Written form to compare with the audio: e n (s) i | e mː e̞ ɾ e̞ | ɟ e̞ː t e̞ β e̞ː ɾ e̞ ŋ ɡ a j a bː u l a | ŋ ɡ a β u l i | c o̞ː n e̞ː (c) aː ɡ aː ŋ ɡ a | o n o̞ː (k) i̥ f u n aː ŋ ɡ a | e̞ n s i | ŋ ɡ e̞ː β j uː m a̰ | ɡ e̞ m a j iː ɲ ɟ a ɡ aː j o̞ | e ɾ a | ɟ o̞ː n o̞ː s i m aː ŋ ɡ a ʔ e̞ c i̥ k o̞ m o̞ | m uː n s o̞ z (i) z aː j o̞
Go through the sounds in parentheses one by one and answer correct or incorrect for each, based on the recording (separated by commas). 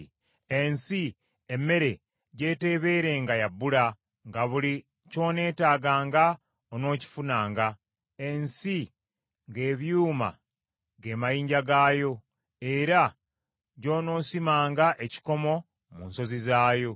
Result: correct, incorrect, incorrect, correct